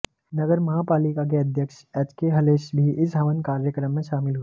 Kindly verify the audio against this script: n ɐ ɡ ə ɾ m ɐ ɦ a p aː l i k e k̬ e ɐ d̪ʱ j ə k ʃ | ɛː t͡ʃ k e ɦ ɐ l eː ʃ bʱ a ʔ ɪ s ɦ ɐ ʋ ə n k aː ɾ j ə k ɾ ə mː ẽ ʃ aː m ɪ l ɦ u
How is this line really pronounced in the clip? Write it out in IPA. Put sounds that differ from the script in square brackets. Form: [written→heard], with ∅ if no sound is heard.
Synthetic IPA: n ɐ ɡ ə ɾ m ɐ ɦ a p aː l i k [e→a] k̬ e ɐ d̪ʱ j ə k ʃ | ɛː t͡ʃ k e ɦ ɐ l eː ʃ bʱ [a→i] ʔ ɪ s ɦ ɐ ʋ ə n k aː ɾ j ə k ɾ ə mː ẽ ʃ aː m ɪ l ɦ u